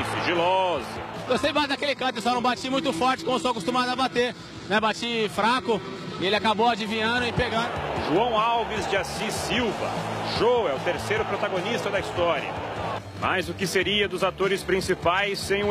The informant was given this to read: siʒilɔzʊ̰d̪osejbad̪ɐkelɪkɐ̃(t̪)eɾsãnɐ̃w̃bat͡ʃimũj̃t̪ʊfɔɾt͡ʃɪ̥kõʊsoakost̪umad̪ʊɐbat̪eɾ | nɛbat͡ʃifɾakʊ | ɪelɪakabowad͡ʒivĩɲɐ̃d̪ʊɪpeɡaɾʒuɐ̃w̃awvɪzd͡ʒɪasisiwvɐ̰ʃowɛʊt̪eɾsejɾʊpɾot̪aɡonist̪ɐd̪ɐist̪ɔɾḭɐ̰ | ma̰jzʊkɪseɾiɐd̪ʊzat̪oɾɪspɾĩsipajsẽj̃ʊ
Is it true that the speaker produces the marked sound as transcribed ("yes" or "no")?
yes